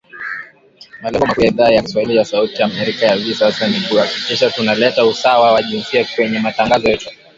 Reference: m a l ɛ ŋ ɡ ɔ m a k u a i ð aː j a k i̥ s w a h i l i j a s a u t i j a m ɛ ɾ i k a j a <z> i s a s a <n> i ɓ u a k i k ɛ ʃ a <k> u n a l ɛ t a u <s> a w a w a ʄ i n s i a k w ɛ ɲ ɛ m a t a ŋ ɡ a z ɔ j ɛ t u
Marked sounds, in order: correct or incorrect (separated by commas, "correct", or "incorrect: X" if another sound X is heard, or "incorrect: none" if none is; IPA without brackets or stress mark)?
incorrect: v, correct, incorrect: t, correct